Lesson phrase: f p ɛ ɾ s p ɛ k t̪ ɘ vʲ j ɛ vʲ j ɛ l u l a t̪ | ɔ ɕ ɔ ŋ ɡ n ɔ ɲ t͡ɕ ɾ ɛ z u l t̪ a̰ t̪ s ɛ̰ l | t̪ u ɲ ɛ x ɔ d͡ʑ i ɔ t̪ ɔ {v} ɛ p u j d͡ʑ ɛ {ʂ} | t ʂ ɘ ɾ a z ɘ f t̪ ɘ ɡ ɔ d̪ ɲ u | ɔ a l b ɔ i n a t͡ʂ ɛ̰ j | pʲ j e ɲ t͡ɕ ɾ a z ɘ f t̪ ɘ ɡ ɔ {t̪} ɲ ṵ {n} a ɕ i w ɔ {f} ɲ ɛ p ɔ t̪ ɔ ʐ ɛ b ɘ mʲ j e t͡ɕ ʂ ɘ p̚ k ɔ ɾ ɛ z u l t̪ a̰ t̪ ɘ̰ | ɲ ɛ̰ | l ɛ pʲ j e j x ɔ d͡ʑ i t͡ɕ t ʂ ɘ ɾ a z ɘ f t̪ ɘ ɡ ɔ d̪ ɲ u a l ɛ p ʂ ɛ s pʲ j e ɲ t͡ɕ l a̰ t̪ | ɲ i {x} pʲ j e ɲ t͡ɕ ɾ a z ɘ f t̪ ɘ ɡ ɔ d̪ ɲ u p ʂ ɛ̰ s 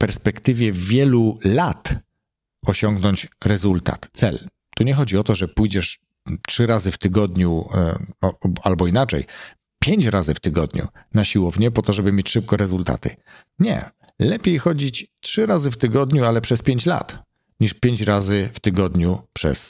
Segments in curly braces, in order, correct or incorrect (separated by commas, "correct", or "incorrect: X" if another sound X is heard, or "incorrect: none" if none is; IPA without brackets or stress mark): incorrect: ʐ, correct, incorrect: d̪, correct, incorrect: v, incorrect: ʂ